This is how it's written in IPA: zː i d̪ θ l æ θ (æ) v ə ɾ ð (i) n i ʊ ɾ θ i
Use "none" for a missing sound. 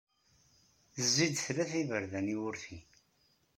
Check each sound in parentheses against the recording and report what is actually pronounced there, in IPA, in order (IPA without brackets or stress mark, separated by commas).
i, æ